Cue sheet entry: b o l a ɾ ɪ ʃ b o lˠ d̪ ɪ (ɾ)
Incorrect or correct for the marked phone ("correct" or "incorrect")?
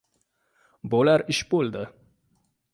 incorrect